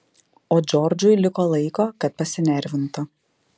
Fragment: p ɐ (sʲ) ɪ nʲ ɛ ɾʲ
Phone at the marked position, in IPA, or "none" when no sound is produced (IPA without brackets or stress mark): sʲ